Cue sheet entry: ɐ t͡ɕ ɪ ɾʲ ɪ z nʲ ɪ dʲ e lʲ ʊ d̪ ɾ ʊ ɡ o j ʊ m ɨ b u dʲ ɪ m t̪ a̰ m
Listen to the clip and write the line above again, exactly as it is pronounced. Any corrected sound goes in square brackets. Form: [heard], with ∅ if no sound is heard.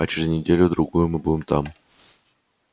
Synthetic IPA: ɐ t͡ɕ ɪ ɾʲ ɪ z nʲ ɪ dʲ e lʲ ʊ d̪ ɾ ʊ ɡ [u] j ʊ m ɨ b u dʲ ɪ m t̪ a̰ m